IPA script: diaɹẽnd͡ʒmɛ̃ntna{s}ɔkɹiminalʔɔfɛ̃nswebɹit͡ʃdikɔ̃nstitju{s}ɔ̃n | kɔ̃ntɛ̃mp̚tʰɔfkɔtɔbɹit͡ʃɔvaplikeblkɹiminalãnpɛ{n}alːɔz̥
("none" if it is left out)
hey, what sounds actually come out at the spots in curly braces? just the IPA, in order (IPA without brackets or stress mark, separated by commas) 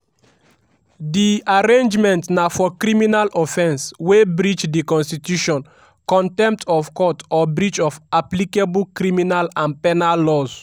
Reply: f, ʃ, n